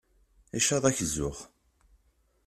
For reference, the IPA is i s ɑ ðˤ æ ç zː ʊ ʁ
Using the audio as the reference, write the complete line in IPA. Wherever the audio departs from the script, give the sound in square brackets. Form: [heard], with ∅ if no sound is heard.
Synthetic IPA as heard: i [ʃ] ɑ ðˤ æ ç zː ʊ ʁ